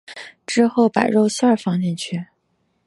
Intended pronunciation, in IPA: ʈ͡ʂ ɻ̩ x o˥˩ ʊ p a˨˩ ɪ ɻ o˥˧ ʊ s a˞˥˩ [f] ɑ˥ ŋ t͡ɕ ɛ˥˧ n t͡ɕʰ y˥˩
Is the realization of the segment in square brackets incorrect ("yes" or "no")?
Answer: no